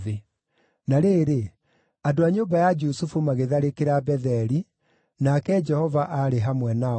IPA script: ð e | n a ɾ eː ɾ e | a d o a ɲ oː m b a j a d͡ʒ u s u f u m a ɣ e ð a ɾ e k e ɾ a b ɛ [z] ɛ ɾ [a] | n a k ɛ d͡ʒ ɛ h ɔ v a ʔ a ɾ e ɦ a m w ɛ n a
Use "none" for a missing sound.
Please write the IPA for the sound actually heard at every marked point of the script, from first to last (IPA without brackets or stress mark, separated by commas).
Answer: ð, i